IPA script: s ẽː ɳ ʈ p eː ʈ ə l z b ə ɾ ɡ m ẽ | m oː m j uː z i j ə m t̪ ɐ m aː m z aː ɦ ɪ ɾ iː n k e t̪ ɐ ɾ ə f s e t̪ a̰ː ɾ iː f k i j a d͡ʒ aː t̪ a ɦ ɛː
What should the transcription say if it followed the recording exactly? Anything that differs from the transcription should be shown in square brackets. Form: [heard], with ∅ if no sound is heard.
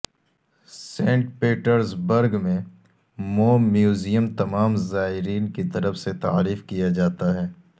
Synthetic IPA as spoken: s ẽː ɳ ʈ p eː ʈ ə [ɾ] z b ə ɾ ɡ m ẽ | m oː m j uː z i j ə m t̪ ɐ m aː m z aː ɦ ɪ ɾ iː n k [i] t̪ ɐ ɾ ə f s e t̪ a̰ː ɾ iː f k i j a d͡ʒ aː t̪ a ɦ ɛː

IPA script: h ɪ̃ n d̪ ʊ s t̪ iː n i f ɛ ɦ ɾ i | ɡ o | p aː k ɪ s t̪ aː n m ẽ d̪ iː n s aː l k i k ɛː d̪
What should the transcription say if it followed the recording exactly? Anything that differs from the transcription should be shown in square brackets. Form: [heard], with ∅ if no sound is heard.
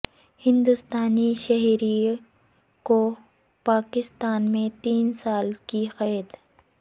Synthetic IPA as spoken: h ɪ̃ n d̪ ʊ s t̪ [aː] n i [ʃ] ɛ ɦ ɾ i | [k] o | p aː k ɪ s t̪ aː n m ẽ [t̪] iː n s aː l k i [x] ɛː d̪

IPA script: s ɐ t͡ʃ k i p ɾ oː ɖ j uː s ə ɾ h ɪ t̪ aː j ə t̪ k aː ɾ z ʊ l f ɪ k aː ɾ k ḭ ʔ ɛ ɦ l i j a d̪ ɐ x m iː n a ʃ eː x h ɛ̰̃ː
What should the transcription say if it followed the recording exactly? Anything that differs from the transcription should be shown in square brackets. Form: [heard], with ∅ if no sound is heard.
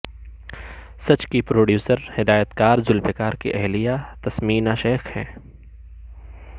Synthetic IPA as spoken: s ɐ t͡ʃ k i p ɾ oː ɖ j uː s ə ɾ h ɪ [d̪] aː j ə t̪ k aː ɾ z ʊ l f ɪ k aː ɾ k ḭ ʔ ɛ ɦ l i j a [t̪] ɐ [s] m iː n a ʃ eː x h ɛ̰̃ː

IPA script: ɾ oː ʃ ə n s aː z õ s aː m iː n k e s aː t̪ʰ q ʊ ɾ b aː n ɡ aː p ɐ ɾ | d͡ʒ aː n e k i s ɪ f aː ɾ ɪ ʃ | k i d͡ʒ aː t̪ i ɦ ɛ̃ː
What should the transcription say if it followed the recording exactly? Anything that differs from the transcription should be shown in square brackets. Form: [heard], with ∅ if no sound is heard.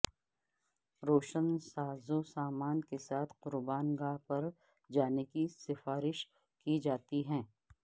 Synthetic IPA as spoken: ɾ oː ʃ ə n s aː z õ s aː m [aː] n k e s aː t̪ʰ q ʊ ɾ b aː n ɡ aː p ɐ ɾ | d͡ʒ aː n e k i s ɪ f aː ɾ ɪ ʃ | k i d͡ʒ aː t̪ i ɦ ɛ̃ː

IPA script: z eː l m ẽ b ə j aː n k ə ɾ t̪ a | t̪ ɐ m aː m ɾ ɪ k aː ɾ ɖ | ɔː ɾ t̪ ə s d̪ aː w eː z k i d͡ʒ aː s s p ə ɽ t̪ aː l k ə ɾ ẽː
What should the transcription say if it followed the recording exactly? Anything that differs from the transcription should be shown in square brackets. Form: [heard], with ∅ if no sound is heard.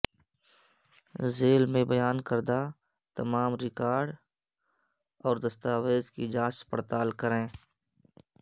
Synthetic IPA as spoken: z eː l m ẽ b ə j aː n k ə ɾ [d̪] a | t̪ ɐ m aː m ɾ ɪ k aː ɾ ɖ | ɔː ɾ [d̪] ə s [t̪] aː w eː z k i d͡ʒ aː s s p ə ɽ t̪ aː l k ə ɾ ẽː

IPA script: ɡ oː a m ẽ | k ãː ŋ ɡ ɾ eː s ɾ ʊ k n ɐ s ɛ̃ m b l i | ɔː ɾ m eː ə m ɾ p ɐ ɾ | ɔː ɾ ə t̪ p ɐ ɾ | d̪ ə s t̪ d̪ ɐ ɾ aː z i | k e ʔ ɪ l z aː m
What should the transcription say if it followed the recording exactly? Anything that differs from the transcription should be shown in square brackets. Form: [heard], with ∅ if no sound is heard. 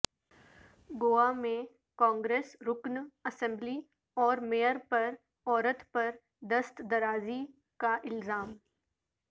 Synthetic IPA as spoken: ɡ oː a m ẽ | k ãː ŋ ɡ ɾ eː s ɾ ʊ k n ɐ s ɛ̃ m b l i | ɔː ɾ m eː ə [∅] ɾ p ɐ ɾ | ɔː ɾ ə t̪ p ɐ ɾ | d̪ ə s t̪ d̪ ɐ ɾ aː z i | k [a] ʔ ɪ l z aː m

